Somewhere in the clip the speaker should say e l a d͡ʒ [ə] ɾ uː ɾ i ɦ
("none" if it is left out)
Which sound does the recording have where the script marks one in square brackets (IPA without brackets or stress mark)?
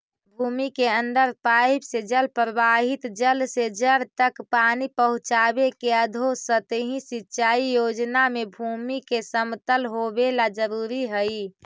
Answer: ə